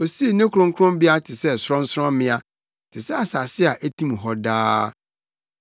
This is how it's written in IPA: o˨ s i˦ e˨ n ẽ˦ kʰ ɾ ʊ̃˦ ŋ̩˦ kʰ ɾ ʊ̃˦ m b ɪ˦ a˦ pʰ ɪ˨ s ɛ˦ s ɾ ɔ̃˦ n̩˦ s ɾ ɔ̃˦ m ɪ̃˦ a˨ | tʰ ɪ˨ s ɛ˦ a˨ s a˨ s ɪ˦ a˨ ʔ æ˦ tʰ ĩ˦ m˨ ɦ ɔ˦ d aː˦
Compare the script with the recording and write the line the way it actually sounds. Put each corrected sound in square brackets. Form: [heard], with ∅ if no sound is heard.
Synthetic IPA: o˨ s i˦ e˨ n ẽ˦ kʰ ɾ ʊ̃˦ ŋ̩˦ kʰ ɾ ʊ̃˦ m b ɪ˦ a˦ [tʰ] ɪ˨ s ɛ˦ s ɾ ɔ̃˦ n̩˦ s ɾ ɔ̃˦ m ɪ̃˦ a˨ | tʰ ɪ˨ s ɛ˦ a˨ s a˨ s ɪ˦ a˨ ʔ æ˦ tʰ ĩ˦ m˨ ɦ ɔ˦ d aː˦